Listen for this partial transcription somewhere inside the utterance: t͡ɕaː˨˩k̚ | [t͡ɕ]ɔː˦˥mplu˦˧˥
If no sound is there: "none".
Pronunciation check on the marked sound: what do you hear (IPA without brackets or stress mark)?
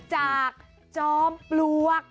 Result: t͡ɕ